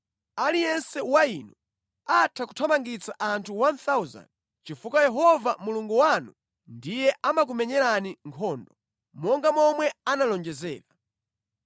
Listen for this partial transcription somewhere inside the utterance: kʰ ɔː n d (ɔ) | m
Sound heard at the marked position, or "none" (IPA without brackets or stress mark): ɔ